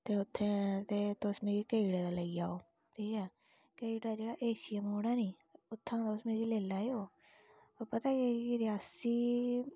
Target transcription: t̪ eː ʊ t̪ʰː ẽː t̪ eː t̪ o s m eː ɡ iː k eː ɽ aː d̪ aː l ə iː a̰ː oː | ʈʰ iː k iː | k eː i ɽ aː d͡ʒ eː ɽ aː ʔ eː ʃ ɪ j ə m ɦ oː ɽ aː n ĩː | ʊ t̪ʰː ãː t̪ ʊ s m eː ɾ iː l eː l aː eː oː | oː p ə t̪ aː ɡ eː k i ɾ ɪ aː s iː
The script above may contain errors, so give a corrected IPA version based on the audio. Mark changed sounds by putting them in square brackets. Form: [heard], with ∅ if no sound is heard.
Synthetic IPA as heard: t̪ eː ʊ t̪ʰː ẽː t̪ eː t̪ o s m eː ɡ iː k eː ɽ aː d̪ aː l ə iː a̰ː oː | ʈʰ iː k [ɛː] | k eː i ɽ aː d͡ʒ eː ɽ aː ʔ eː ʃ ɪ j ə m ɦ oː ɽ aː n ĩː | ʊ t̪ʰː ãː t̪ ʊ s m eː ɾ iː l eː l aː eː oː | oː p ə t̪ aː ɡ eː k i ɾ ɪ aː s iː

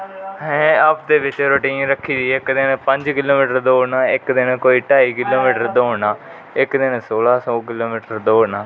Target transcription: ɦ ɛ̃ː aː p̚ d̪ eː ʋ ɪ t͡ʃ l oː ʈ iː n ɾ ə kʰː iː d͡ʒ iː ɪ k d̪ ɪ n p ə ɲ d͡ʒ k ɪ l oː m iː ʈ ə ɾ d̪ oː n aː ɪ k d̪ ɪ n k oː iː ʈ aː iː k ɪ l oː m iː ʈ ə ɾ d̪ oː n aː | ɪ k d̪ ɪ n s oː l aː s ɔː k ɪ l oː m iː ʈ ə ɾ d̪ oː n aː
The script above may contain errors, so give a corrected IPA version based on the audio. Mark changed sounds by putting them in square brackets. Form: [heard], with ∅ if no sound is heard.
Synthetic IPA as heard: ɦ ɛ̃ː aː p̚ d̪ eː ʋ ɪ t͡ʃ [ɾ] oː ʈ iː n ɾ ə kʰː iː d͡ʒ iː ɪ k d̪ ɪ n p ə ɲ d͡ʒ k ɪ l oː m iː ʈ ə ɾ d̪ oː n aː ɪ k d̪ ɪ n k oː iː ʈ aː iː k ɪ l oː m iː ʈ ə ɾ d̪ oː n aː | ɪ k d̪ ɪ n s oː l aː s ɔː k ɪ l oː m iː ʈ ə ɾ d̪ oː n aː

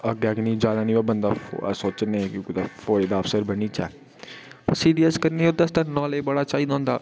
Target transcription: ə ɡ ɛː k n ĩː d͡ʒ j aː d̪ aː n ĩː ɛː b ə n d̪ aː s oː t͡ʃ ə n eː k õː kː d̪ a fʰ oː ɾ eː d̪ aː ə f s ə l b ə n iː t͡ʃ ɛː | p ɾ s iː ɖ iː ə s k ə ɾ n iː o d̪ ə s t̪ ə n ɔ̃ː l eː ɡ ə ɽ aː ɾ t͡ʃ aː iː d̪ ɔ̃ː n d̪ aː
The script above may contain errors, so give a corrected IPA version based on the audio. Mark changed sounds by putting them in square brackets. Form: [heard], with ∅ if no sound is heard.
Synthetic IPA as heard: ə ɡ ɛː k n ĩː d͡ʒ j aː d̪ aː n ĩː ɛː b ə n d̪ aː s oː t͡ʃ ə n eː k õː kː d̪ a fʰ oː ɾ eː d̪ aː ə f s ə [ɾ] b ə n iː t͡ʃ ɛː | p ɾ s iː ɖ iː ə s k ə ɾ n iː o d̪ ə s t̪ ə n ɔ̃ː l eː [b] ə ɽ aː [∅] t͡ʃ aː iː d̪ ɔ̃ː n d̪ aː

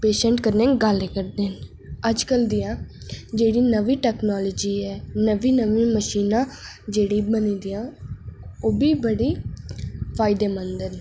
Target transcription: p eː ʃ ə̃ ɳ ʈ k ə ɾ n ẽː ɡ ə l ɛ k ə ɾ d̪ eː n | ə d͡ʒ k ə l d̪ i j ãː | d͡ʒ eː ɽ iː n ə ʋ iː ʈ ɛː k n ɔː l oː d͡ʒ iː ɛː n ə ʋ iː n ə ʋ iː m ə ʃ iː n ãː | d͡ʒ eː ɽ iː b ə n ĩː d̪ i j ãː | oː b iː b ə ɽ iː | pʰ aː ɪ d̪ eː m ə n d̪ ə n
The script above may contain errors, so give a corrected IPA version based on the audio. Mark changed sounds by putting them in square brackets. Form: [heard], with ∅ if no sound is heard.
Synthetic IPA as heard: p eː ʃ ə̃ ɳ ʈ k ə ɾ n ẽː ɡ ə l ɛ k ə ɾ d̪ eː n | ə d͡ʒ k ə l d̪ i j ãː | d͡ʒ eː ɽ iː n ə ʋ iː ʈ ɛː k n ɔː l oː d͡ʒ iː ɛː n ə ʋ iː n ə ʋ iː m ə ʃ iː n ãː | d͡ʒ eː ɽ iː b ə n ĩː d̪ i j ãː | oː b iː b ə ɽ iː | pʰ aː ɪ d̪ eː m ə n d̪ ə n

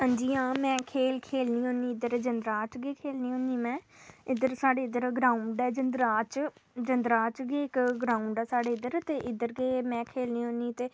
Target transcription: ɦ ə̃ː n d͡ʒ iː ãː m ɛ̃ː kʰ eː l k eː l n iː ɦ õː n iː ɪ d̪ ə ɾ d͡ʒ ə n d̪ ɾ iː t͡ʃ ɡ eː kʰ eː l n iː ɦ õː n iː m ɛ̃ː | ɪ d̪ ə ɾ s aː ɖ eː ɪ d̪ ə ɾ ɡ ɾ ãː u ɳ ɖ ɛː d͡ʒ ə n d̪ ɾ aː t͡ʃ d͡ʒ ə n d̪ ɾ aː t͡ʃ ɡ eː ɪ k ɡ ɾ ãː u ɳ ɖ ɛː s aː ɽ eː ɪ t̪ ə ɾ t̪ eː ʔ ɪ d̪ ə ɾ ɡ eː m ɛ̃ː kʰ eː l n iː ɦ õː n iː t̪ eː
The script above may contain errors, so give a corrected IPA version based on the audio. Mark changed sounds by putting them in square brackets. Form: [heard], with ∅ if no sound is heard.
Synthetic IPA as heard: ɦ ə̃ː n d͡ʒ iː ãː m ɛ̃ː kʰ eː l [kʰ] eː l n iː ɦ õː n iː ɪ d̪ ə ɾ d͡ʒ ə n d̪ ɾ [aː] t͡ʃ ɡ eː kʰ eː l n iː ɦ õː n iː m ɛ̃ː | ɪ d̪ ə ɾ s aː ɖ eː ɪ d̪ ə ɾ ɡ ɾ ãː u ɳ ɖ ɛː d͡ʒ ə n d̪ ɾ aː t͡ʃ d͡ʒ ə n d̪ ɾ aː t͡ʃ ɡ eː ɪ k ɡ ɾ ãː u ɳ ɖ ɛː s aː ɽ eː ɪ [d̪] ə ɾ t̪ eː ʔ ɪ d̪ ə ɾ ɡ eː m ɛ̃ː kʰ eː l n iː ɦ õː n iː t̪ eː

